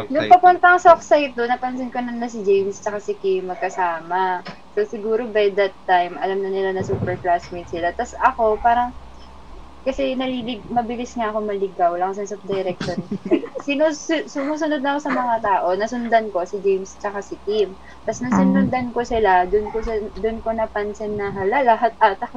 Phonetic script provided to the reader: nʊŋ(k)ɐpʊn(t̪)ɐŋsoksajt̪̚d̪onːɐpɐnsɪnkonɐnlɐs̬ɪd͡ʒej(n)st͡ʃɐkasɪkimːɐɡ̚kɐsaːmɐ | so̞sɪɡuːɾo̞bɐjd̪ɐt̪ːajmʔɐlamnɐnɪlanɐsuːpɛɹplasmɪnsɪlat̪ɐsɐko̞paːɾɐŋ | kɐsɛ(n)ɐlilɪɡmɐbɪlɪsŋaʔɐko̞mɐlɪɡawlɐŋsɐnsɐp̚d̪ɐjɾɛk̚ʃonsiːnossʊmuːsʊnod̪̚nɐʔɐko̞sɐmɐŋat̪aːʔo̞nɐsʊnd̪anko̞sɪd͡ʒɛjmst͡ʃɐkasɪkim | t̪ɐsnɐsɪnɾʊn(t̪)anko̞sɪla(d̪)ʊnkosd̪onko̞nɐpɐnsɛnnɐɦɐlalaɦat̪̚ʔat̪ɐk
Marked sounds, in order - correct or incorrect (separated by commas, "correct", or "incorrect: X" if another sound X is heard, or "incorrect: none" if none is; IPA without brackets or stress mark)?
incorrect: p, correct, incorrect: m, correct, incorrect: d̪, correct